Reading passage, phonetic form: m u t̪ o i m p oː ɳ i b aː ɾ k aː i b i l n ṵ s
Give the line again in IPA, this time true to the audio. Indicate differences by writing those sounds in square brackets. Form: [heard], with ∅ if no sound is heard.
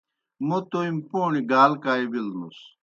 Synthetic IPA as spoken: m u t̪ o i m p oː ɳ i [ɡ] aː [l] k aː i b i l n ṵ s